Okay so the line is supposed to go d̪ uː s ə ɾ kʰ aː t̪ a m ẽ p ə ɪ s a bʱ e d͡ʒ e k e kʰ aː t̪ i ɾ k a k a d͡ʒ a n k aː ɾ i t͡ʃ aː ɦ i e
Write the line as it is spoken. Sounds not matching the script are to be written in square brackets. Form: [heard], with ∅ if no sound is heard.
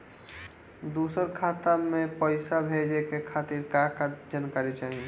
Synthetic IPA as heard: d̪ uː s ə ɾ kʰ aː t̪ a m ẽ p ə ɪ s a bʱ e d͡ʒ e k e kʰ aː t̪ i ɾ k a k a d͡ʒ a n k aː ɾ i t͡ʃ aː ɦ i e